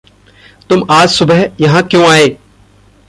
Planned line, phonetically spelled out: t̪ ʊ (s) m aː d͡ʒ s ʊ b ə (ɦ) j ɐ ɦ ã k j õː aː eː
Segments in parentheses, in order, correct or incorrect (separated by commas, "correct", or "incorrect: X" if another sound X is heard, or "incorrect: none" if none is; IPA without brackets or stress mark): incorrect: none, correct